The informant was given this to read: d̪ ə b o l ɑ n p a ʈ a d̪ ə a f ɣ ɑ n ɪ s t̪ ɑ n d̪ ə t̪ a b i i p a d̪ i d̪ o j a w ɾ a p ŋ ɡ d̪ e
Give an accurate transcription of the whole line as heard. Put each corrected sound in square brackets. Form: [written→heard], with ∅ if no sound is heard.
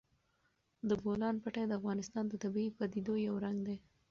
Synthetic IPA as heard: d̪ ə b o l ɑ n p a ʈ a d̪ ə a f ɣ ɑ n ɪ s t̪ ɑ n d̪ ə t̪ a b i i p a d̪ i d̪ o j a w ɾ a [p→∅] ŋ ɡ d̪ e